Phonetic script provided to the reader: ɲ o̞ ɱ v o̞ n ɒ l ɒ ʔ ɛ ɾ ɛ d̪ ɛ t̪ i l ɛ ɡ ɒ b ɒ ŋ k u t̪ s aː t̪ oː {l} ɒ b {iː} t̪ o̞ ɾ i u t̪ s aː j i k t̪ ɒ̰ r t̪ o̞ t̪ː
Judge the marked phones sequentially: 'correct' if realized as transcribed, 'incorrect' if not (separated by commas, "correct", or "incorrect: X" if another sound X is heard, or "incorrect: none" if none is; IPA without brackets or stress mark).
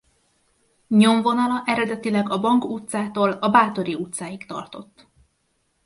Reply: correct, incorrect: aː